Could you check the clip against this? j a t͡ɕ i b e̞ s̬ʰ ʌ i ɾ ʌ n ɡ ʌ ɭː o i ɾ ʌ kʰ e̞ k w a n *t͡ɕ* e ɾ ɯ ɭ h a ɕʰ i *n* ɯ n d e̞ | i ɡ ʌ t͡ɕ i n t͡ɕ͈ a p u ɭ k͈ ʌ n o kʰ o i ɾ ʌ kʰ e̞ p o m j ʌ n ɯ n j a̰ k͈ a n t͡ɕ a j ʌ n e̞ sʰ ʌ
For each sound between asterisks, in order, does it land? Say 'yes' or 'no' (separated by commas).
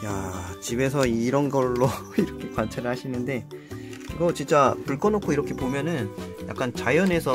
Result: no, yes